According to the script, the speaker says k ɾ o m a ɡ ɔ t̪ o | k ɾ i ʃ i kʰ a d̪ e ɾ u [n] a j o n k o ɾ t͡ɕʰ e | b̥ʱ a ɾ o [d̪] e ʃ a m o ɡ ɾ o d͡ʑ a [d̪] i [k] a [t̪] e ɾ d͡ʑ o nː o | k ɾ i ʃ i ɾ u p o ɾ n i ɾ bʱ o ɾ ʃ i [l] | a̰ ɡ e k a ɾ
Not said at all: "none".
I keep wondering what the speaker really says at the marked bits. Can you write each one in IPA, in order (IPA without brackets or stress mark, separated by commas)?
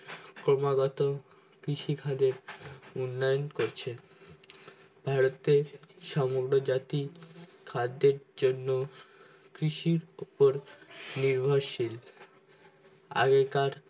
nː, t̪, t̪, kʰ, d̪, l